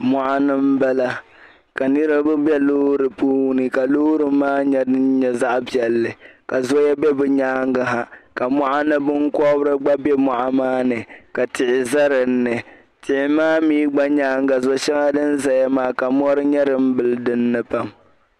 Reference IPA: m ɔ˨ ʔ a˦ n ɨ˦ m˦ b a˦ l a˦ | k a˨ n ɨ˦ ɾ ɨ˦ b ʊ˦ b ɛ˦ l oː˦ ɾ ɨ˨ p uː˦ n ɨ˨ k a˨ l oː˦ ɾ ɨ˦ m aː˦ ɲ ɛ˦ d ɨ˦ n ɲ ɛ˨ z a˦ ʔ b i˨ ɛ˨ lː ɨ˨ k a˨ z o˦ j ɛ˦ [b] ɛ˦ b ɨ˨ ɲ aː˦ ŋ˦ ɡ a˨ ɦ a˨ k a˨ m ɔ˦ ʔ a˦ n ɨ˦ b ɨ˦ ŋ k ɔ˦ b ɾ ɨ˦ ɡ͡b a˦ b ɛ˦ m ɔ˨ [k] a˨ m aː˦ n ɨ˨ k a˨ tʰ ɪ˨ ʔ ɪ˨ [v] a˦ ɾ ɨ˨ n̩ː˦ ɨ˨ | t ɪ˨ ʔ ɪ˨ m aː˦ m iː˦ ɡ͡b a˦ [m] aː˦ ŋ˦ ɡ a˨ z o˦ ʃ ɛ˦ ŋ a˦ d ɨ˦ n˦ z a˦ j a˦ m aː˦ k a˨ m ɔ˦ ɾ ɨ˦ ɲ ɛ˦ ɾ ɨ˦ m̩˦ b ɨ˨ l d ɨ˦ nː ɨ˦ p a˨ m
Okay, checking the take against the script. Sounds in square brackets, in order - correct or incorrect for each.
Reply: correct, incorrect: ʔ, incorrect: z, incorrect: ɲ

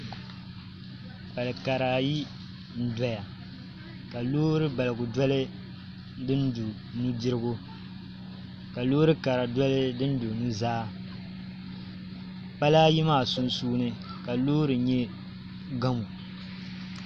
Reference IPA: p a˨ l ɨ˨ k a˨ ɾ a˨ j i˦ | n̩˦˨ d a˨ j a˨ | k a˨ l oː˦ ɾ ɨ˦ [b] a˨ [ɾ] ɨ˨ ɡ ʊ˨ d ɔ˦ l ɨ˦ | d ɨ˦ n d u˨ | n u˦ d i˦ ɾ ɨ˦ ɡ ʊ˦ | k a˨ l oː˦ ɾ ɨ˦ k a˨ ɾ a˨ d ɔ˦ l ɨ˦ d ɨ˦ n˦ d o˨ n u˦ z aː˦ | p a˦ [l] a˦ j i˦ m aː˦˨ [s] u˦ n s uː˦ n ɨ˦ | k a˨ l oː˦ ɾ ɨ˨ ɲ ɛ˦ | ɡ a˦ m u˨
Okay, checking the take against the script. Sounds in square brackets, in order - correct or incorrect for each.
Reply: correct, incorrect: l, correct, correct

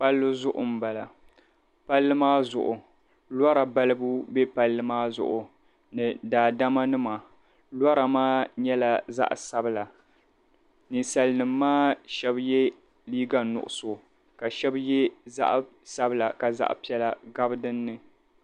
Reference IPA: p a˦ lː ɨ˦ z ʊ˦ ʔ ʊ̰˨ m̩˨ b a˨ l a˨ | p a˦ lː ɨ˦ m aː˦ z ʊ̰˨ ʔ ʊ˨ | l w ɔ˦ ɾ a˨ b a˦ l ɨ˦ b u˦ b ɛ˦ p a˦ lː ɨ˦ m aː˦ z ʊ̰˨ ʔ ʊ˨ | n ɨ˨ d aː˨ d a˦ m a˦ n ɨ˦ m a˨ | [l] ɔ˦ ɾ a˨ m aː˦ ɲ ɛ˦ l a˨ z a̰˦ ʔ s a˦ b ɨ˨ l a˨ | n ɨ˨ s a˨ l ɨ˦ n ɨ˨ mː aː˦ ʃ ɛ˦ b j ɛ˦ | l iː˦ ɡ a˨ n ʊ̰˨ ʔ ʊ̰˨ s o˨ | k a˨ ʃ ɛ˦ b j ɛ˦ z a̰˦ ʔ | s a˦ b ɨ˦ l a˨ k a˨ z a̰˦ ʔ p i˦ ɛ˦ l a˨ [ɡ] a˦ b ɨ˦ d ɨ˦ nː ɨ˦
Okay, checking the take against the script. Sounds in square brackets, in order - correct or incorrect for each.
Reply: correct, correct

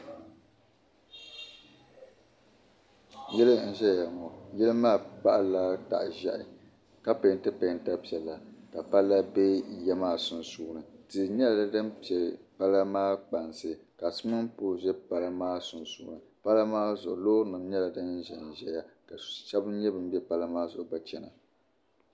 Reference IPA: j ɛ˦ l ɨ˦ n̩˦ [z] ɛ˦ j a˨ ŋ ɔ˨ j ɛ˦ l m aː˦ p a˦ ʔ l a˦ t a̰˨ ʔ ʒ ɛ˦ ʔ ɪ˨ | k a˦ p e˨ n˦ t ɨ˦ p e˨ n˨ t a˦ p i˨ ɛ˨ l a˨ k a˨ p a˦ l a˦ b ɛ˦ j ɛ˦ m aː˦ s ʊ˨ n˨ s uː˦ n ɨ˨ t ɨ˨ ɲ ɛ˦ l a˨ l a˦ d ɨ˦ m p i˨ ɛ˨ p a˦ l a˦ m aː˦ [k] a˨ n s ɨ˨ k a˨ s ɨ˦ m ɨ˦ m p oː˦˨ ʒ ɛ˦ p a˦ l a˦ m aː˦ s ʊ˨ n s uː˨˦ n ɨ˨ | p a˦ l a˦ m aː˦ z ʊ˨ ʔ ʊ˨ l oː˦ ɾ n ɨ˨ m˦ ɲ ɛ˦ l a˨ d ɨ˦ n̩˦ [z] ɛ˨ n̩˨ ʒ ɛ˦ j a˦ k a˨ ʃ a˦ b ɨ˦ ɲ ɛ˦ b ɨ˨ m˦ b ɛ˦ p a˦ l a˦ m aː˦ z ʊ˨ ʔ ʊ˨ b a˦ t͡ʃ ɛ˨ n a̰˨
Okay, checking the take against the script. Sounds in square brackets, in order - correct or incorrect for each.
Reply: incorrect: ʒ, incorrect: k͡p, incorrect: ʒ

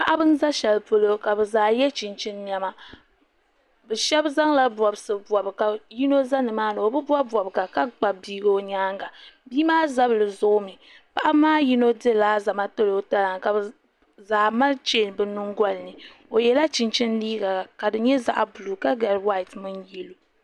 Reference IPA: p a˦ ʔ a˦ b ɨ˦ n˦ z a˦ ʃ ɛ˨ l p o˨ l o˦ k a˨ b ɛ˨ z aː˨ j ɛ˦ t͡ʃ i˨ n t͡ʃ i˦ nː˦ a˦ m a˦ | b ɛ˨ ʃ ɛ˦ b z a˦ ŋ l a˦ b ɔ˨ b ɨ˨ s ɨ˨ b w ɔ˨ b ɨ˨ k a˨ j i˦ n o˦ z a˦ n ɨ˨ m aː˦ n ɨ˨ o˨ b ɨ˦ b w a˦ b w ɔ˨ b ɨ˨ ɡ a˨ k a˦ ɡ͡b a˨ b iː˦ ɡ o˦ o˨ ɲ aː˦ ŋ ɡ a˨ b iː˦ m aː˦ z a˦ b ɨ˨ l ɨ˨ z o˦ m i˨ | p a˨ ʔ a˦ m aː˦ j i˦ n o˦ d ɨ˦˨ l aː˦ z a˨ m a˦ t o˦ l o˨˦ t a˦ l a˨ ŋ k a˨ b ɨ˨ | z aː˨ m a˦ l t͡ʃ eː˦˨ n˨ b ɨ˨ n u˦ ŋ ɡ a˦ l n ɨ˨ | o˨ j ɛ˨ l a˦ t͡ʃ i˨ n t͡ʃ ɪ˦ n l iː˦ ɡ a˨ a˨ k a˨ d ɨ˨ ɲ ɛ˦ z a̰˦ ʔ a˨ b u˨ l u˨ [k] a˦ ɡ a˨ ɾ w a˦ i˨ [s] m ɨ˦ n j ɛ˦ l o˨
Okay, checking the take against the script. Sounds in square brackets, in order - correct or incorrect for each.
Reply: correct, incorrect: t

